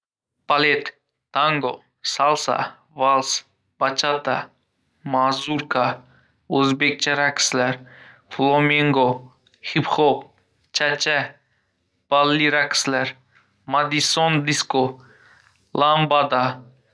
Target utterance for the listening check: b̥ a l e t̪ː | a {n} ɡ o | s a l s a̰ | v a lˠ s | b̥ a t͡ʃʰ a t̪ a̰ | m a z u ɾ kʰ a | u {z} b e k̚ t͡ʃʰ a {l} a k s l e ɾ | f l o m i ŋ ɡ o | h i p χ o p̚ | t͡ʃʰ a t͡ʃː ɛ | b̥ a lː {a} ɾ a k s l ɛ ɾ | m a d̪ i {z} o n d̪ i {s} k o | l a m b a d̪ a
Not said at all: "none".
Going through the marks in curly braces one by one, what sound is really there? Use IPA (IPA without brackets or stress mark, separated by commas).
ŋ, z, ɾ, i, s, s